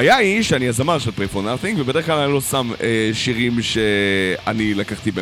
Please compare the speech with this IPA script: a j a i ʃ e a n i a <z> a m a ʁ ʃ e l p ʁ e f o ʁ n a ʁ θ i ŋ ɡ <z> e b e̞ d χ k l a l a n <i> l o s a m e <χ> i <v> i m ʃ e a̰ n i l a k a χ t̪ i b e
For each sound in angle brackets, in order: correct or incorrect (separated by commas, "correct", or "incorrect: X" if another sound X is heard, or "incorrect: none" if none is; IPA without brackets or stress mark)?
correct, incorrect: v, correct, incorrect: ʃ, incorrect: ʁ